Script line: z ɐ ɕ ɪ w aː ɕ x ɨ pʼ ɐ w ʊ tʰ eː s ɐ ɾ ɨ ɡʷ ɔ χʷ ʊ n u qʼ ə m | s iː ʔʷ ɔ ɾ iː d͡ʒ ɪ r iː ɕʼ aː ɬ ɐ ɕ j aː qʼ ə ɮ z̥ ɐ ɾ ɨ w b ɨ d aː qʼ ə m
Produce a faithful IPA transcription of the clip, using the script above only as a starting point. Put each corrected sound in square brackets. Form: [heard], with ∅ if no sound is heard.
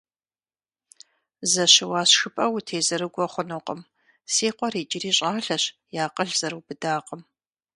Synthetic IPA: z ɐ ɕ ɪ w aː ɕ x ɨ pʼ ɐ w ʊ tʰ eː [z] ɐ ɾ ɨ ɡʷ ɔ χʷ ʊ n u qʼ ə m | s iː [qʷ] ɔ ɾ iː d͡ʒ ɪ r iː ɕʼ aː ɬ ɐ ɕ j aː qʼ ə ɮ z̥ ɐ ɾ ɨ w b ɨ d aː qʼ ə m